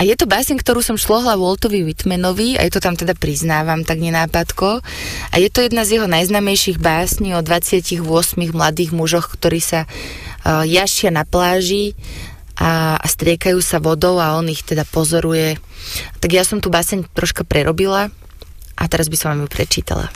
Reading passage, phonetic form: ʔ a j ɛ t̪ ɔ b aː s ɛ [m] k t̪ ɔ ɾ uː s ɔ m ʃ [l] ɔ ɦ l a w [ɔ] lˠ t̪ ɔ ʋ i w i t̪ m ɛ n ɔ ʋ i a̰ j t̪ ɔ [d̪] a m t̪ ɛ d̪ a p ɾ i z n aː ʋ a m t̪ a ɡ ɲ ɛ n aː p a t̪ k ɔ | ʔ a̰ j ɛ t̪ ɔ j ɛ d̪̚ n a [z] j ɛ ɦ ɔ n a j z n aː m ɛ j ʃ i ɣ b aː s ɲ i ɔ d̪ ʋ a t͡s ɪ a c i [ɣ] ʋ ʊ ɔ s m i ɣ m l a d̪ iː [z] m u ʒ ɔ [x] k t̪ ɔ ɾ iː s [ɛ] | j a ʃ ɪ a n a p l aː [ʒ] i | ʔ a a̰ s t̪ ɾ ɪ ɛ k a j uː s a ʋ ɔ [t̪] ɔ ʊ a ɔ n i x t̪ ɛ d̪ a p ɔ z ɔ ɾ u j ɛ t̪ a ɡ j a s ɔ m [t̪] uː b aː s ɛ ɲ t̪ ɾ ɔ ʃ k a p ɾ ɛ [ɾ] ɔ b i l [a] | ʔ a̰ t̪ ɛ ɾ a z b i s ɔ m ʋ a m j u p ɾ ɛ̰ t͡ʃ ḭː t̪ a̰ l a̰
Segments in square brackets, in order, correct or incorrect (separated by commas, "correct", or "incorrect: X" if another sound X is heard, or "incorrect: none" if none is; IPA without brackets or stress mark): incorrect: ɲ, correct, correct, incorrect: t̪, correct, correct, incorrect: ɣ, correct, incorrect: a, correct, incorrect: d̪, correct, correct, correct